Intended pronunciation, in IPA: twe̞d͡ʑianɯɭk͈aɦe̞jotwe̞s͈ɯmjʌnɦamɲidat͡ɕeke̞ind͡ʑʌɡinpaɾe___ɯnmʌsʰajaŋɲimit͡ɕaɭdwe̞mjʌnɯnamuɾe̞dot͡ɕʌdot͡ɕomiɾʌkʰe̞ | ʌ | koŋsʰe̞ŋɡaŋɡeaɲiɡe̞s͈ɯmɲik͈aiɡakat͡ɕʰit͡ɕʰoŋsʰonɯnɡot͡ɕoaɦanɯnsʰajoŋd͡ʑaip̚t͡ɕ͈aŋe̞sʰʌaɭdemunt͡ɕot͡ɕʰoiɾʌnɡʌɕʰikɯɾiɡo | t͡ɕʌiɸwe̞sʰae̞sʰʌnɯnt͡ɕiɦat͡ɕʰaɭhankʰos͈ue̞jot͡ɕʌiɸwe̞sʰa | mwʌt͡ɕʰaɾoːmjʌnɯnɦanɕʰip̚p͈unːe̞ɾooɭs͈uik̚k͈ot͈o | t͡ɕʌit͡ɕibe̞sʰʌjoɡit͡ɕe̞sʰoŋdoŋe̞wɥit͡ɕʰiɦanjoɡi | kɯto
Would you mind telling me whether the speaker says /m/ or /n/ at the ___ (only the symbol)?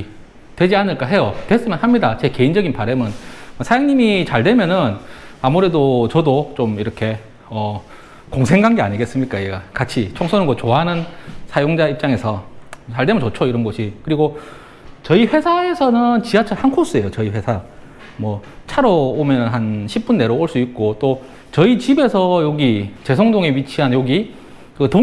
m